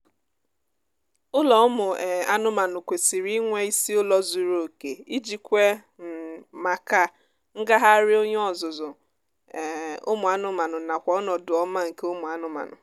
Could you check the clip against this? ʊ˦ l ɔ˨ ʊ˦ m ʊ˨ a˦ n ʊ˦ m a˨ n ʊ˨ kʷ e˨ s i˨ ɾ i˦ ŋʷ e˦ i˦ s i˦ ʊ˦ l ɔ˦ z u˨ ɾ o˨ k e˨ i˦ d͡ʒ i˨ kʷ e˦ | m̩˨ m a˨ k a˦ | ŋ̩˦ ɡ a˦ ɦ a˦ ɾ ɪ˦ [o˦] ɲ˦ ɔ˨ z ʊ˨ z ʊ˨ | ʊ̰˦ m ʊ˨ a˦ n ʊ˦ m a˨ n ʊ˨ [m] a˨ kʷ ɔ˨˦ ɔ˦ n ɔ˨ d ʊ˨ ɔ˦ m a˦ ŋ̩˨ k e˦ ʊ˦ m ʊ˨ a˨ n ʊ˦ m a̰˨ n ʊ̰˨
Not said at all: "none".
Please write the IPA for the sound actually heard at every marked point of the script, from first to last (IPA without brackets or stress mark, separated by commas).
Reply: o˦, n